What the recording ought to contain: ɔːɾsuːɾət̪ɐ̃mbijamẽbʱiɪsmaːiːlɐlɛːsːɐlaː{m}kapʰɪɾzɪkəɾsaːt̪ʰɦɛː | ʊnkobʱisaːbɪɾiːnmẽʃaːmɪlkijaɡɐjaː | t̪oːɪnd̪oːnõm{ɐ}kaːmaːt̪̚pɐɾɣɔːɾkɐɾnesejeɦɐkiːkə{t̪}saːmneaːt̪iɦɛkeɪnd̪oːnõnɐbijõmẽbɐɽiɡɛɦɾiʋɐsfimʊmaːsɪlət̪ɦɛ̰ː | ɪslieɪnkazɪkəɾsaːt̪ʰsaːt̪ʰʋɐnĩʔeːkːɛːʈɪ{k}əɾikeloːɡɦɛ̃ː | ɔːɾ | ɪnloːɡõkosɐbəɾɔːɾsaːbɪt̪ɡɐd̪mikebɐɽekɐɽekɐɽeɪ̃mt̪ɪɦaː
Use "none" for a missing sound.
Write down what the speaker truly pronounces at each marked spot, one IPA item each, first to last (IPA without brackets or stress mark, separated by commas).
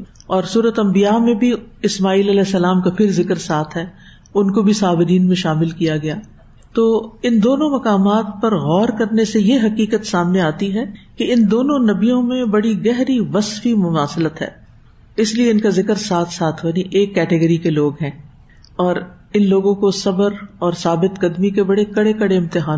m, ɐ, t̪, ɡ